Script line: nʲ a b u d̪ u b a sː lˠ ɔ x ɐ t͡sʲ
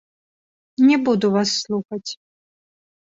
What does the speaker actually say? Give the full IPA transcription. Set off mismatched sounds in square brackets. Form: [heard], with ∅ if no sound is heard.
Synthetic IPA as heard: nʲ [ɛ] b u d̪ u [v] a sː lˠ [u] x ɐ t͡sʲ